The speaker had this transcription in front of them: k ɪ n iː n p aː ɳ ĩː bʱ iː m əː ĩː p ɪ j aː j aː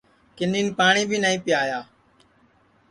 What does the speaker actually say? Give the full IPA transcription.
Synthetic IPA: k ɪ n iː n p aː ɳ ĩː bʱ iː n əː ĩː p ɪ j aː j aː